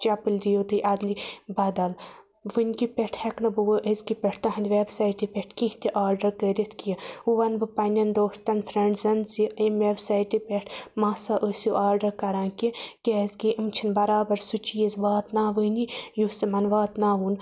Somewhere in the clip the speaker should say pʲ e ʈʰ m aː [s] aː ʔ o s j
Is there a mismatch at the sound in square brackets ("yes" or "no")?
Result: no